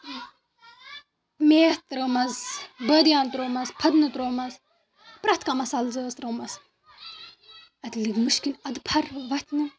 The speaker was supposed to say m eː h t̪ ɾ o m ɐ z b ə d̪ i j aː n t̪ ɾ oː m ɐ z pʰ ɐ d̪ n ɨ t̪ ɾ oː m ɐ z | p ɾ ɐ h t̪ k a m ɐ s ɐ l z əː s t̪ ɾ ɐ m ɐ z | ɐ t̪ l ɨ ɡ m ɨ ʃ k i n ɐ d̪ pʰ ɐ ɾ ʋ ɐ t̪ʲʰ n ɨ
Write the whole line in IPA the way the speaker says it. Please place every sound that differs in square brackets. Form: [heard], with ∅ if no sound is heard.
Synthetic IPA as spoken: m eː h t̪ ɾ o m ɐ z b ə d̪ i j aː n t̪ ɾ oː m ɐ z pʰ ɐ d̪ n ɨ t̪ ɾ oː m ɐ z | p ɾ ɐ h t̪ k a m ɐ s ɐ l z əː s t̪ ɾ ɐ m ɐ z | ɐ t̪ l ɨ ɡ m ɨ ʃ k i n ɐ d̪ pʰ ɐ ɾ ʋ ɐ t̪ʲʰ n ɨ